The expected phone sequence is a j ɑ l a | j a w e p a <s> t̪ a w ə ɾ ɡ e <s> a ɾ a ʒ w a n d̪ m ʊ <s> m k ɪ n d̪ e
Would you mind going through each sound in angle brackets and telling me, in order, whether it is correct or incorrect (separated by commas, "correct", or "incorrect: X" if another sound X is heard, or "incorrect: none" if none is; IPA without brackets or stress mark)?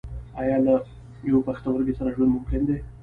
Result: incorrect: x, correct, incorrect: none